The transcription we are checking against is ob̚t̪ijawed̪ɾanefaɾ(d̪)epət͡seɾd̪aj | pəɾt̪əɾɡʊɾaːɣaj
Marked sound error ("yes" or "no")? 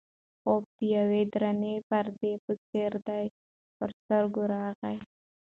no